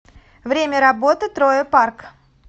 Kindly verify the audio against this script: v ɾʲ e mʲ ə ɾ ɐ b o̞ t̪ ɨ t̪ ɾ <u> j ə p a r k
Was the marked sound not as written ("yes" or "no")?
yes